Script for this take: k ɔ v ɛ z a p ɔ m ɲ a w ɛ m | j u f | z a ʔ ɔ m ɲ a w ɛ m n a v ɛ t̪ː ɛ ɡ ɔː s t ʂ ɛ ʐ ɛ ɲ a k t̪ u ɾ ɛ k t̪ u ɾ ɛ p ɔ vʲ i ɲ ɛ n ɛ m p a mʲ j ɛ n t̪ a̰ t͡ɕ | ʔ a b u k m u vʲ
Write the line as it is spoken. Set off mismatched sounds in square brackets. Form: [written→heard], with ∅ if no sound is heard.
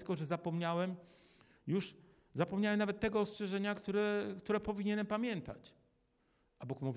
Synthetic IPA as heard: k ɔ [v→ʐ] ɛ z a p ɔ m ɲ a w ɛ m | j u [f→ʂ] | z a [ʔ→p] ɔ m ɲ a w ɛ m n a v ɛ t̪ː ɛ ɡ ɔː s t ʂ ɛ ʐ ɛ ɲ a k t̪ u ɾ ɛ k t̪ u ɾ ɛ p ɔ vʲ i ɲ ɛ n ɛ m p a mʲ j ɛ n t̪ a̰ t͡ɕ | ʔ a b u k m u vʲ